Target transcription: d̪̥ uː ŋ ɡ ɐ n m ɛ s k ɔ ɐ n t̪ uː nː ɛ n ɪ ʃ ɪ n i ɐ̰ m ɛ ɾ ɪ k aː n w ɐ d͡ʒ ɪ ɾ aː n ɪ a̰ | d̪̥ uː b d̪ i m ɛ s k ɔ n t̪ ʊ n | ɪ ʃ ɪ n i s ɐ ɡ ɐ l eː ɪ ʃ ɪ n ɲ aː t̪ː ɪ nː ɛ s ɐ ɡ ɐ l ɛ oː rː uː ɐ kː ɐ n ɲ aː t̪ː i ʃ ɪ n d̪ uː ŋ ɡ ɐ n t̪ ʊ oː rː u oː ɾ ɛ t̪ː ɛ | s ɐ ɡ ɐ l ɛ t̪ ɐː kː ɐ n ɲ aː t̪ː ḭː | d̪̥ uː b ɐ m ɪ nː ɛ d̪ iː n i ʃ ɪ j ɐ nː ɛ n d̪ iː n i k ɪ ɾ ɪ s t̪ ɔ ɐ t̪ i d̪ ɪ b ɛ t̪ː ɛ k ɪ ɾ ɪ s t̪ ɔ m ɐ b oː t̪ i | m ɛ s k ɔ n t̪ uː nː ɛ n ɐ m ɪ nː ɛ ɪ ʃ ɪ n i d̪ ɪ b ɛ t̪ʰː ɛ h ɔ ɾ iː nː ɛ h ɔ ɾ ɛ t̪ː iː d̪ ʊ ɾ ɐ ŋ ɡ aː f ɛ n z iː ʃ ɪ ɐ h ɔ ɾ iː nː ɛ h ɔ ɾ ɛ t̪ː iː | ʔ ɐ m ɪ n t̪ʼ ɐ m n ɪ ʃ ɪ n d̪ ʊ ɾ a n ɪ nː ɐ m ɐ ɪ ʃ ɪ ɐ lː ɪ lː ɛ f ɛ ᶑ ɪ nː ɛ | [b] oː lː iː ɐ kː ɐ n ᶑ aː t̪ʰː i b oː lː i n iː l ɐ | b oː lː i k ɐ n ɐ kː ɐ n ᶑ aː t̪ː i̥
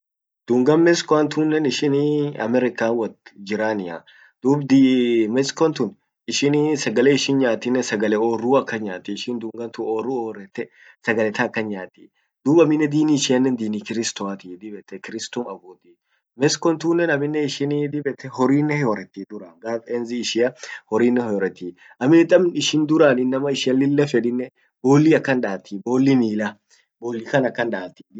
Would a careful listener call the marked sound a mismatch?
no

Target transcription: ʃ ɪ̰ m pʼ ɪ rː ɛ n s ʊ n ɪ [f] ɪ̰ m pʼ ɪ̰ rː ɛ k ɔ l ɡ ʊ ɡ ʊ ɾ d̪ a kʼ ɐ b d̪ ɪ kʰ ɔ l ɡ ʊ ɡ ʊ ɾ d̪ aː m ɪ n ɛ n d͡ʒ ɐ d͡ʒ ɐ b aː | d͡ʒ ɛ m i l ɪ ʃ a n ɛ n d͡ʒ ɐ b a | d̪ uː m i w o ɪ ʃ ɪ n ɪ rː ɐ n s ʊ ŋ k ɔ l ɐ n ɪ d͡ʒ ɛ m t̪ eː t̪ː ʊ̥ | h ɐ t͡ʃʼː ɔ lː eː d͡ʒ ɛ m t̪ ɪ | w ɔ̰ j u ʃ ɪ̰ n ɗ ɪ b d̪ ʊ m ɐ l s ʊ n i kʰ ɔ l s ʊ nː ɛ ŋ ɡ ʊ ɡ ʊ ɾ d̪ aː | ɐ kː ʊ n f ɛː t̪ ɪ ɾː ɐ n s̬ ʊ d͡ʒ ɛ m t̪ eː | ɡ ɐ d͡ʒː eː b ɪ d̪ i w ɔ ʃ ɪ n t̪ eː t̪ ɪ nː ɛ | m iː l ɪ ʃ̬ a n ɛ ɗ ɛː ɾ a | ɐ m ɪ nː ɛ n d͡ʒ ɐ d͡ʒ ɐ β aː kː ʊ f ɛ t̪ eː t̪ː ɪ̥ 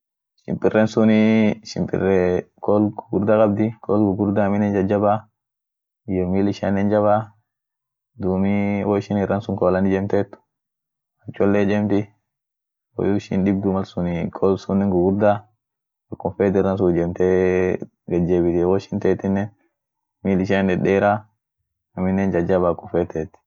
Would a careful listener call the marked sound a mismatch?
yes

